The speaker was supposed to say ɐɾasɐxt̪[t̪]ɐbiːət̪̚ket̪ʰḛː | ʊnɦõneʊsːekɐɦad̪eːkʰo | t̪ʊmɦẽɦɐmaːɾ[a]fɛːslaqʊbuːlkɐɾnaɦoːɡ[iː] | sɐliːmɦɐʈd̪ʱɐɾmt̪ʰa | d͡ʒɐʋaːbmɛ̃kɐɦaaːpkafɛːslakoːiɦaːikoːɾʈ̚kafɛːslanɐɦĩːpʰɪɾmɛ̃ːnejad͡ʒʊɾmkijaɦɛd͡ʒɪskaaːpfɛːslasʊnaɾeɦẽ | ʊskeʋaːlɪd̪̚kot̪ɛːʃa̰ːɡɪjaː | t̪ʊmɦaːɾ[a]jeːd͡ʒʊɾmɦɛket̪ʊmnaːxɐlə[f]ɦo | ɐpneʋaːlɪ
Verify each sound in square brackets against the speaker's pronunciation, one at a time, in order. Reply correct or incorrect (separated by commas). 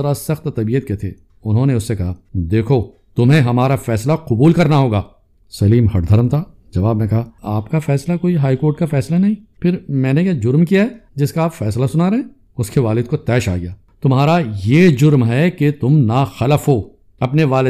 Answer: correct, correct, incorrect, correct, correct